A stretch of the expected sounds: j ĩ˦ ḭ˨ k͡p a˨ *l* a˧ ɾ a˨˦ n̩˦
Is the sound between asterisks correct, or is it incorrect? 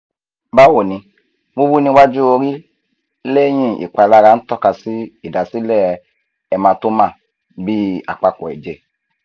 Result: correct